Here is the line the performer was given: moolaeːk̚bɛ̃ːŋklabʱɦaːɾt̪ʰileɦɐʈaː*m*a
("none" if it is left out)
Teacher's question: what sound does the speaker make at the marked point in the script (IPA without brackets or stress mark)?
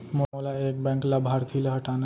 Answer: n